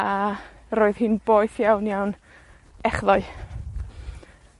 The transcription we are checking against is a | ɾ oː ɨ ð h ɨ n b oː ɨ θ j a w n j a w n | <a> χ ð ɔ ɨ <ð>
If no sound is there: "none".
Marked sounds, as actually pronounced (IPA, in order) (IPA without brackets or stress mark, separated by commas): ɛ, none